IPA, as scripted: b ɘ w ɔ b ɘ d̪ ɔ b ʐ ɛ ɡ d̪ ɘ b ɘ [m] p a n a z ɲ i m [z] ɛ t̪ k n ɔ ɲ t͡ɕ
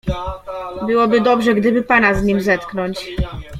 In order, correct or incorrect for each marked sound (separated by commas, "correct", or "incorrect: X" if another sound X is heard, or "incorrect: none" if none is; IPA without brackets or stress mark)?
incorrect: none, correct